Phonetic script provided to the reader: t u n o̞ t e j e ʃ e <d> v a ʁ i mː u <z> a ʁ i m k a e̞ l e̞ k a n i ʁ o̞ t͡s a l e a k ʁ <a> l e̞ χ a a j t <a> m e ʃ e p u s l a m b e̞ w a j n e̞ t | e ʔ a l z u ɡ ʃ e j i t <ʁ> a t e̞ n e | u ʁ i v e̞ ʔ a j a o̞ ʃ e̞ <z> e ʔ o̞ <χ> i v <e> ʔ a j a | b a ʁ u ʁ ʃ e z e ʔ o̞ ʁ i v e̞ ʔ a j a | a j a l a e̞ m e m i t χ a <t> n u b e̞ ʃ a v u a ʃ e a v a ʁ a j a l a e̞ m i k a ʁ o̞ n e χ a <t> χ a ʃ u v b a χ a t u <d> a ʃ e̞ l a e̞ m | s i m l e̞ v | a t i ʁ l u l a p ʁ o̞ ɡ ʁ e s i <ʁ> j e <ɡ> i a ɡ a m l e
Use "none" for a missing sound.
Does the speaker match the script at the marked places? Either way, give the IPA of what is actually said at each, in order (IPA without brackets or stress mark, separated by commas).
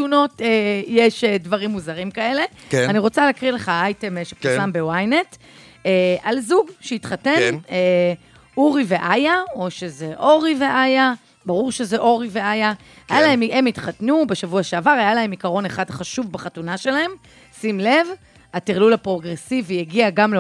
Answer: d, z, i, e, χ, z, ʁ, e, t, d, n, v, ɡ